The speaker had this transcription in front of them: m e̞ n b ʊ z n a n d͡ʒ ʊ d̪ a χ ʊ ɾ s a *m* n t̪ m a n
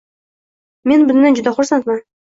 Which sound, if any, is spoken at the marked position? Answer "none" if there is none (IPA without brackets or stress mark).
none